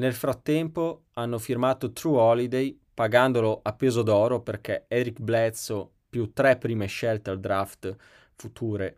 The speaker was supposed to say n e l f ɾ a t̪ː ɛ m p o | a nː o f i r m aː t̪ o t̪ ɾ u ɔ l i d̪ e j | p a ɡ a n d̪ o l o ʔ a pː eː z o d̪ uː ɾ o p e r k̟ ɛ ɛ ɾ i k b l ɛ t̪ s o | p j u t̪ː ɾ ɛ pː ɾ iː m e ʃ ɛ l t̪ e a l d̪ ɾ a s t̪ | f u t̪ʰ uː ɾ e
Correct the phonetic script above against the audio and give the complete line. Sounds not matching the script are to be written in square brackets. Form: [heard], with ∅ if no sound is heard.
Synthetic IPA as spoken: n e l f ɾ a t̪ː ɛ m p o | a nː o f i r m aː t̪ o t̪ ɾ u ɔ l i d̪ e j | p a ɡ a n d̪ o l o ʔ a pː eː z o d̪ [ɔː] ɾ o p e r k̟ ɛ ɛ ɾ i k b l ɛ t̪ s o | p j u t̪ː ɾ ɛ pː ɾ iː m e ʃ ɛ l t̪ e a l d̪ ɾ a [f] t̪ | f u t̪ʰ uː ɾ e